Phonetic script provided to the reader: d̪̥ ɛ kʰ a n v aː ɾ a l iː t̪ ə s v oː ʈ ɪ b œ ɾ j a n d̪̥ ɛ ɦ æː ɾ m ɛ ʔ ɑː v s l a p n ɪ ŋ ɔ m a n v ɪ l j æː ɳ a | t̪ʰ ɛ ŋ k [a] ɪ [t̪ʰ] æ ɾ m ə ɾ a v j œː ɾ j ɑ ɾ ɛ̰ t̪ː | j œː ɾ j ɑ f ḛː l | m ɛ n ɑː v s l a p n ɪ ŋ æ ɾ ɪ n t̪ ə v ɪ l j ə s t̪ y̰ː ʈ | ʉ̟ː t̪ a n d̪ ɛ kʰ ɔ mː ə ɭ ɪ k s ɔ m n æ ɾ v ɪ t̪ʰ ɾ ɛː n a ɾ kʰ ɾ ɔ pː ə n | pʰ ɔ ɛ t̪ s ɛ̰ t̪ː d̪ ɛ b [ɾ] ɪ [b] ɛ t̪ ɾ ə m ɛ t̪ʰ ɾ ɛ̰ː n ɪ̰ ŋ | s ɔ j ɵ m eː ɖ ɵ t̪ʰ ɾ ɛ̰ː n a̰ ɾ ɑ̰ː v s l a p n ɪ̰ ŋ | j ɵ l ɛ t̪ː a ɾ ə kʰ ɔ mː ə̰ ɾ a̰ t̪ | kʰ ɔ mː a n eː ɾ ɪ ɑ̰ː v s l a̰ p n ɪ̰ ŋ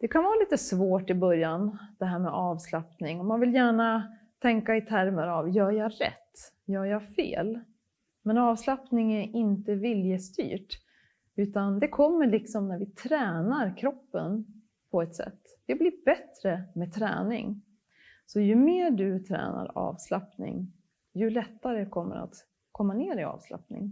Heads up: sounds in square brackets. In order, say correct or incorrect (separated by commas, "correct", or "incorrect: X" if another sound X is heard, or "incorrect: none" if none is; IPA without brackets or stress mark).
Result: correct, correct, incorrect: l, correct